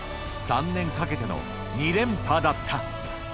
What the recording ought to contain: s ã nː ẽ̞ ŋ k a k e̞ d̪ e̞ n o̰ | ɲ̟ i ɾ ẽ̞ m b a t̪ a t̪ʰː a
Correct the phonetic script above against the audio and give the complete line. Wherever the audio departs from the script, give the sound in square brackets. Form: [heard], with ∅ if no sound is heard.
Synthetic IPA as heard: s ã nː ẽ̞ ŋ k a k e̞ [t̪] e̞ n o̰ | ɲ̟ i ɾ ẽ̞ m [p] a [d̪] a t̪ʰː a